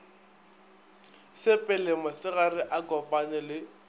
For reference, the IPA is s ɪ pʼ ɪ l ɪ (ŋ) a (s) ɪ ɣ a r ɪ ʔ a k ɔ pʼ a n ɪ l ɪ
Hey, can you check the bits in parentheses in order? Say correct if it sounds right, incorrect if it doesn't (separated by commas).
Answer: incorrect, correct